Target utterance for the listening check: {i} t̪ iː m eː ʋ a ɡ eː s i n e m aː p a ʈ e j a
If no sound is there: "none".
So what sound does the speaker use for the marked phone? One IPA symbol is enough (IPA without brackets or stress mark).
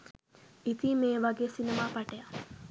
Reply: i